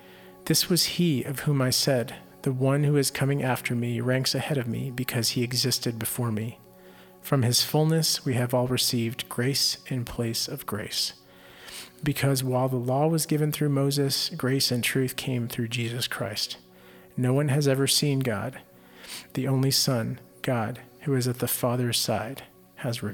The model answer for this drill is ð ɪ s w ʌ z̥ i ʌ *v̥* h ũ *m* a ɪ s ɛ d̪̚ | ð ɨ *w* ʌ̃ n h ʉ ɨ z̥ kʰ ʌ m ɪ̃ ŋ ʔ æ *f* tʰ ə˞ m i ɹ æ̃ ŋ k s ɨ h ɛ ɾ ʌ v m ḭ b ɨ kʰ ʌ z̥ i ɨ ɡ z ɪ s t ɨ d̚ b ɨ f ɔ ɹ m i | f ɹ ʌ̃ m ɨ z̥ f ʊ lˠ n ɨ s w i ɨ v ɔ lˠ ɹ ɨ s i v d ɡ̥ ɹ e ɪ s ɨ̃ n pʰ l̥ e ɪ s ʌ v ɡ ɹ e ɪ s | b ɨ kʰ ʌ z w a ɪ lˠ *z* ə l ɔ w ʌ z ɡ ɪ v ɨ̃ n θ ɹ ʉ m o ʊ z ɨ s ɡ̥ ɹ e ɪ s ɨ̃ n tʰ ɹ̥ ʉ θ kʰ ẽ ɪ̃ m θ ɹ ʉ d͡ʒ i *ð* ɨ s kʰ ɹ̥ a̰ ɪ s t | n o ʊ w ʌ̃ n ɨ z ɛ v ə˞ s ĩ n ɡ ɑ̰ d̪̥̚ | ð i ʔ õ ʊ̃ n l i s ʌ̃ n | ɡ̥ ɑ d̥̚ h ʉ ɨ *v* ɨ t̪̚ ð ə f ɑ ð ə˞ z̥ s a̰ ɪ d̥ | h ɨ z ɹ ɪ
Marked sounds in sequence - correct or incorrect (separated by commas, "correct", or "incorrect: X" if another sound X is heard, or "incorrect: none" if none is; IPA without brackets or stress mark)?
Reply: correct, correct, correct, correct, incorrect: ð, incorrect: z, incorrect: z